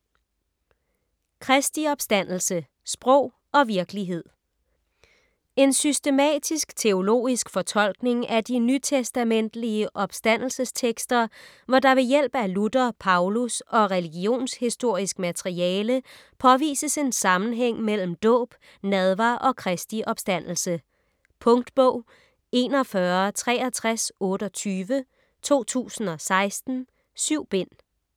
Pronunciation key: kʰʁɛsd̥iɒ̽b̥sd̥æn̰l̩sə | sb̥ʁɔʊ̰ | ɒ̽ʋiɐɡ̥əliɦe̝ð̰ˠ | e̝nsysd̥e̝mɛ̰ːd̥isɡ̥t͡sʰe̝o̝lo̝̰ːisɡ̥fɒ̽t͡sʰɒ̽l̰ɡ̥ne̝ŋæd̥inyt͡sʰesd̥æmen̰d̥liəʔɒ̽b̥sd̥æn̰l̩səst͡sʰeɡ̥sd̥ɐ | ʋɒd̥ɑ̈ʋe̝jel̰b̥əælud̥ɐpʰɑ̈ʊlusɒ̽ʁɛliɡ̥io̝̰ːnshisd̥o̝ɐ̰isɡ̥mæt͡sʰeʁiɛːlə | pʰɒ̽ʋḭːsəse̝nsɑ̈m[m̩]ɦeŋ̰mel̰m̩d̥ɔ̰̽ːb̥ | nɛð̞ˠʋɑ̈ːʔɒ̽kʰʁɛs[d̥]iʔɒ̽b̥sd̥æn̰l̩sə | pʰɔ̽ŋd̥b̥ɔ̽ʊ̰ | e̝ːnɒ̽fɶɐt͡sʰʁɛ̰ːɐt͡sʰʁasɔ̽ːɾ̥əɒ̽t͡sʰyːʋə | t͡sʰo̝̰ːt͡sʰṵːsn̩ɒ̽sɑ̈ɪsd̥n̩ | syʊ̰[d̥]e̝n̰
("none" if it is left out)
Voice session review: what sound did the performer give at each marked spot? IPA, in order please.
n̩, d̥, b̥

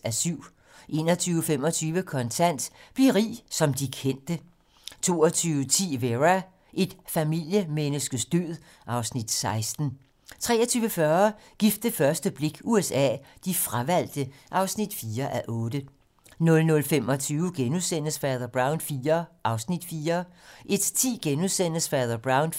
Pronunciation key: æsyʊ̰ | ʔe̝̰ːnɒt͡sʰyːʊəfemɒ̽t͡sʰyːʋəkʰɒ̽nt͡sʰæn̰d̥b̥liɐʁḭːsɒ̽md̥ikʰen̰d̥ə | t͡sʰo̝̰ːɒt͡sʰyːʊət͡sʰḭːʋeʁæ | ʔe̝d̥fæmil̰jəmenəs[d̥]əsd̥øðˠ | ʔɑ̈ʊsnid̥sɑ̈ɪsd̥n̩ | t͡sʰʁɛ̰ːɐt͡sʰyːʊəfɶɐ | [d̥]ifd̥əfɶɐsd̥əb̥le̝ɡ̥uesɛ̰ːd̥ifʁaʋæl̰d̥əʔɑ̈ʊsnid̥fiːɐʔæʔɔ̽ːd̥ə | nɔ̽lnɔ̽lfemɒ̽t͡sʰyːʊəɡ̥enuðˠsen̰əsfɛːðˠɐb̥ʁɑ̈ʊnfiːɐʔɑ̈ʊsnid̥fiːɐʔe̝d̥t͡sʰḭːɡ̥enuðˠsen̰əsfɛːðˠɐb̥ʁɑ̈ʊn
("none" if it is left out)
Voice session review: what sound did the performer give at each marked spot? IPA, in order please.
ɡ̥, ɡ̥

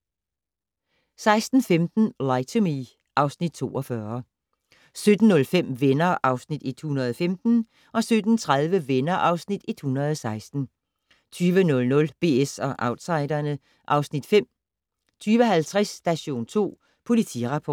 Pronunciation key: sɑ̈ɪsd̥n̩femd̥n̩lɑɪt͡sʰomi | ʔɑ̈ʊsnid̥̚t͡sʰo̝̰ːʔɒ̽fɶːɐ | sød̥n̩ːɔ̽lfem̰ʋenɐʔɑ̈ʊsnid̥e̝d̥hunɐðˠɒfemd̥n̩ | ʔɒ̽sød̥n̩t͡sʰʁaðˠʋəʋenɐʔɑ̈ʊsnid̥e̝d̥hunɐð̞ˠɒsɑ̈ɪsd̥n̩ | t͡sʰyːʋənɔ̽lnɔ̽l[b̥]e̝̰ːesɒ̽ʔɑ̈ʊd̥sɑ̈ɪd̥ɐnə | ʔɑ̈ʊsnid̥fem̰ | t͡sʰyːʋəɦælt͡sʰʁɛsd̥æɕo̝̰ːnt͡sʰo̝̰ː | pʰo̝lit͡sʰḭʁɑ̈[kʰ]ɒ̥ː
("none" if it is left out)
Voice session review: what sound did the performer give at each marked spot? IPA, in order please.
b̥, pʰ

